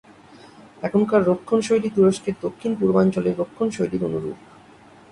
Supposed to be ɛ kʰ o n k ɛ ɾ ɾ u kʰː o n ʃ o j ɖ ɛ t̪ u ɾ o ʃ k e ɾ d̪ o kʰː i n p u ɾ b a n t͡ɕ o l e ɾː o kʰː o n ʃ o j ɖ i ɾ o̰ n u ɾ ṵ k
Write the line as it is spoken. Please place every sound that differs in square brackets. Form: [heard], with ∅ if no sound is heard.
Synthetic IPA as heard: ɛ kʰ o n k [a] ɾ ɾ [o] kʰː o n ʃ o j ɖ [i] t̪ u ɾ o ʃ k e ɾ d̪ o kʰː i n p u ɾ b a n t͡ɕ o l e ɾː o kʰː o n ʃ o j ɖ i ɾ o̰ n u ɾ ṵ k